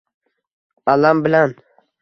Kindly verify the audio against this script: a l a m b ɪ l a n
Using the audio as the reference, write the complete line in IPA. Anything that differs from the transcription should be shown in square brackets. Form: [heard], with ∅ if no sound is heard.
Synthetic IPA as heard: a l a m b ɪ l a n